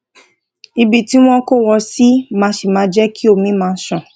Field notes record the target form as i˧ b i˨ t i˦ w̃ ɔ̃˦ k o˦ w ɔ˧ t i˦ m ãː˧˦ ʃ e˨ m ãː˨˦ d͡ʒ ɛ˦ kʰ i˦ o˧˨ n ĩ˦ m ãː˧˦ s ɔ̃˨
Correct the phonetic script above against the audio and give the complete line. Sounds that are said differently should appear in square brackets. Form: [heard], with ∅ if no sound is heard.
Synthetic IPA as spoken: i˧ b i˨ t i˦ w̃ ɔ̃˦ k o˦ w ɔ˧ [s] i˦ m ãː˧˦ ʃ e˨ m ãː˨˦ d͡ʒ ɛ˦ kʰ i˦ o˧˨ [m] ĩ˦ m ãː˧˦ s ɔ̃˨